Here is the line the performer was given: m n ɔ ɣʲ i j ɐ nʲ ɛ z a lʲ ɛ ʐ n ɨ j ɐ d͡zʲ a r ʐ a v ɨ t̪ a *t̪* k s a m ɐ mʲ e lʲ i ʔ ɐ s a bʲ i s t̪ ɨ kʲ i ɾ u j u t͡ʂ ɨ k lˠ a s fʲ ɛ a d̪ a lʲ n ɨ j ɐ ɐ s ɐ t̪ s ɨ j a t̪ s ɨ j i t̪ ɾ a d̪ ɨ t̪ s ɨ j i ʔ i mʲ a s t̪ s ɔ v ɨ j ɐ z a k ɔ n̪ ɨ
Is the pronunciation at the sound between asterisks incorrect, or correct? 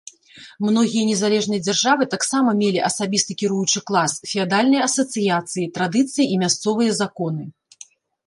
incorrect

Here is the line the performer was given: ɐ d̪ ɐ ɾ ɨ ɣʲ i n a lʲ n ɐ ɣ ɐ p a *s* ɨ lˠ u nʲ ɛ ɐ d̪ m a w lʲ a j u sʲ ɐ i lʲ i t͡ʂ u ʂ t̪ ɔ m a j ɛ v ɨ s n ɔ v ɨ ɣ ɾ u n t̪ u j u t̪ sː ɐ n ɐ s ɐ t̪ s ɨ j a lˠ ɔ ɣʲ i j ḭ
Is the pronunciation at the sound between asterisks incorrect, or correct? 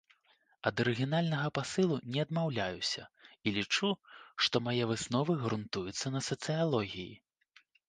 correct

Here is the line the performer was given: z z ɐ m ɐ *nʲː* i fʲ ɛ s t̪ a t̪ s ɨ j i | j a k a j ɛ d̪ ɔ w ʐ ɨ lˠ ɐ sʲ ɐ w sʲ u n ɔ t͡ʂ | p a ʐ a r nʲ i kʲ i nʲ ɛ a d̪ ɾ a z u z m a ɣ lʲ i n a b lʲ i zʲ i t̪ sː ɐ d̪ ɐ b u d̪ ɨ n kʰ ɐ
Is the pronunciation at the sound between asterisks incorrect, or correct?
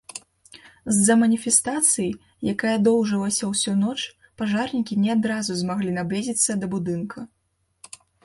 incorrect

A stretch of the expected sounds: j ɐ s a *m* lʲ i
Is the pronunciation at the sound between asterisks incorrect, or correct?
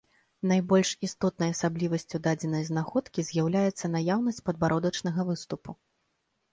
incorrect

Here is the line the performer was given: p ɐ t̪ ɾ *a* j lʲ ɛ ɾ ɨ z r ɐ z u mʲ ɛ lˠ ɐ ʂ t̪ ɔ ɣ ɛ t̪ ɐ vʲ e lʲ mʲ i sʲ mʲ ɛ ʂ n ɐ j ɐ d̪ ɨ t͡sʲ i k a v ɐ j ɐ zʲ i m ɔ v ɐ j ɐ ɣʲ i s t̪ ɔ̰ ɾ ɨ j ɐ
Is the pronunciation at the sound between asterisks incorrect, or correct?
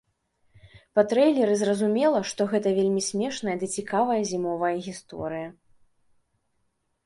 incorrect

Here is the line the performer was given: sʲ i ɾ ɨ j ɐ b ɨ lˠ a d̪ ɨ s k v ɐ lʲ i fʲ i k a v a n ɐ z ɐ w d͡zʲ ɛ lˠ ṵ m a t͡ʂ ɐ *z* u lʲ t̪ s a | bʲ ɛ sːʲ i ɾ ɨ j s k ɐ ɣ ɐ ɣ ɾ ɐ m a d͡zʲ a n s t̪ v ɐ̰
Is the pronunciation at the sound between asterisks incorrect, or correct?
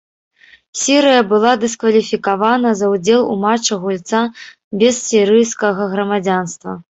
incorrect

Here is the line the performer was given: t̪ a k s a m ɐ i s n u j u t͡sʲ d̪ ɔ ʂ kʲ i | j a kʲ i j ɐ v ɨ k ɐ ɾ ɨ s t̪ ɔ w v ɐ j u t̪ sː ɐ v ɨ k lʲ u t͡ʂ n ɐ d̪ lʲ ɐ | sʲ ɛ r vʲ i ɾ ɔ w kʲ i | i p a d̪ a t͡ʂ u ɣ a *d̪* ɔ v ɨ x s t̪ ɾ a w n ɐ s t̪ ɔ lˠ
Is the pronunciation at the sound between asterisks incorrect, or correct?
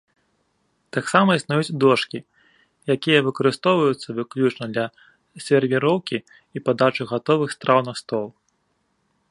incorrect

